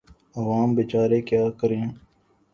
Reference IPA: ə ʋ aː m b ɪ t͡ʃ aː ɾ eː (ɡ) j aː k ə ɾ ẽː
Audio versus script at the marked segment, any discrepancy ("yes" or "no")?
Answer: yes